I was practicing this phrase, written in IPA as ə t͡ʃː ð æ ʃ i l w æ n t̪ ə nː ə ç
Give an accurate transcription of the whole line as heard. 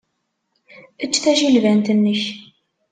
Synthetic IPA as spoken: ə t͡ʃː θ æ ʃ i l v æ n t̪ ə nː ə ç